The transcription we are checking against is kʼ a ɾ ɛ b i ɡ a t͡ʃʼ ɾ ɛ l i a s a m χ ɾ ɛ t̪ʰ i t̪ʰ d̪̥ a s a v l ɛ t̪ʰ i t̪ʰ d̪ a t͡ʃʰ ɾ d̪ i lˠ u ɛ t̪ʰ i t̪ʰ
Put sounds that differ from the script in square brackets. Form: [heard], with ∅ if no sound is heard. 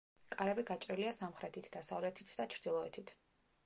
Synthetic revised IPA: kʼ a ɾ ɛ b i ɡ a t͡ʃʼ ɾ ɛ l i a s a m χ ɾ ɛ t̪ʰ i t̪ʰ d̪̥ a s a v l ɛ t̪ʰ i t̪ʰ d̪ a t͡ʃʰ ɾ d̪ i lˠ [ɔ] ɛ t̪ʰ i t̪ʰ